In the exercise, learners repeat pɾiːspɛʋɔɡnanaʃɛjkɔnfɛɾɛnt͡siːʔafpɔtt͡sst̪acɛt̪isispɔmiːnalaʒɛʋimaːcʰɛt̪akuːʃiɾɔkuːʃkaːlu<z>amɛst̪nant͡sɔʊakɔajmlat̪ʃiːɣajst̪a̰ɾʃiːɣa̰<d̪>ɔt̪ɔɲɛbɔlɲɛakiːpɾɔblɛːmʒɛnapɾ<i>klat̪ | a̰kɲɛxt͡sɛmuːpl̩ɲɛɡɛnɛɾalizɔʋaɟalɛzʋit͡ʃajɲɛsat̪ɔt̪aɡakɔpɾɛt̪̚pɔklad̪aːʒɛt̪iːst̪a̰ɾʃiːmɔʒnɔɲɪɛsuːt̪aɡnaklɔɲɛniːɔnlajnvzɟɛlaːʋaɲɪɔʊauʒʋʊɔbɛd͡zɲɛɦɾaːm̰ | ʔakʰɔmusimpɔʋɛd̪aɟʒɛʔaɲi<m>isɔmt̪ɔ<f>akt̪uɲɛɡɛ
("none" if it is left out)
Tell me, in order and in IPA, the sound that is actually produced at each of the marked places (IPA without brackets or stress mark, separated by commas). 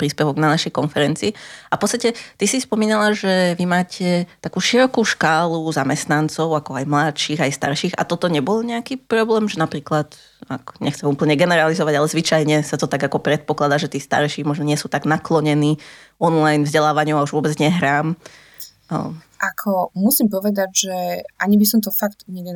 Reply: z, t̪, iː, b, f